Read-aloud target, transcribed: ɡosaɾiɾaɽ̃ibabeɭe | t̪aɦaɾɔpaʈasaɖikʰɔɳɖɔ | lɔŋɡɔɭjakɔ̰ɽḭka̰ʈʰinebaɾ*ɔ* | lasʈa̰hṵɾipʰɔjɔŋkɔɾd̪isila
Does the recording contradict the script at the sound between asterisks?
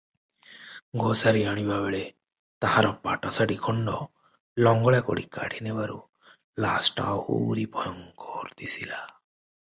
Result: yes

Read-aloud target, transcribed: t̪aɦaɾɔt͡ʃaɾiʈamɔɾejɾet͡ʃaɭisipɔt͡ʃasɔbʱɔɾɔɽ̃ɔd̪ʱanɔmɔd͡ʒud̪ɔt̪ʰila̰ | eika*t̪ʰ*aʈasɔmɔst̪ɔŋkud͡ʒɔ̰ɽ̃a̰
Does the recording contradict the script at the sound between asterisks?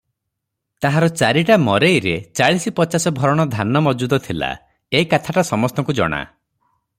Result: no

